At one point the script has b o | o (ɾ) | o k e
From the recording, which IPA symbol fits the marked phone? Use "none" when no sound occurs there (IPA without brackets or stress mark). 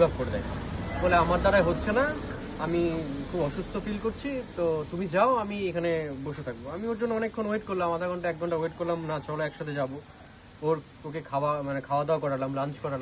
ɾ